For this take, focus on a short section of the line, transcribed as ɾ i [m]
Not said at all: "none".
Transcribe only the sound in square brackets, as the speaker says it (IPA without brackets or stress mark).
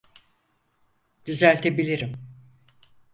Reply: m